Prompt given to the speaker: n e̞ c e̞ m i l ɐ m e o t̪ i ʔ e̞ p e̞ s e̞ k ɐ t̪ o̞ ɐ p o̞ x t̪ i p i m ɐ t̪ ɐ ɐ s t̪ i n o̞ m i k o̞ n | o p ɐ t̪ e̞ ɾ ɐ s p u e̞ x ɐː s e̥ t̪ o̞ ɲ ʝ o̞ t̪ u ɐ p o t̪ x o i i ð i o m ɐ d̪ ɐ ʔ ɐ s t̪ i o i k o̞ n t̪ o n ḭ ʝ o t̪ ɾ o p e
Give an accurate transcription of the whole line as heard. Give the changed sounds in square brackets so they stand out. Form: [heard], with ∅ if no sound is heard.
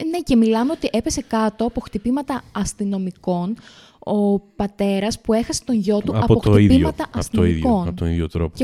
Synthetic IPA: n e̞ c e̞ m i l ɐ m e o t̪ i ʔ e̞ p e̞ s e̞ k ɐ t̪ o̞ ɐ p o̞ x t̪ i p i m ɐ t̪ ɐ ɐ s t̪ i n o̞ m i k o̞ n | o p ɐ t̪ e̞ ɾ ɐ s p u e̞ x [ɐ] s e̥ t̪ o̞ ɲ ʝ o̞ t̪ u ɐ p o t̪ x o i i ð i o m ɐ [t̪] ɐ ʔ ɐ s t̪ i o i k o̞ n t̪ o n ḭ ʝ o t̪ ɾ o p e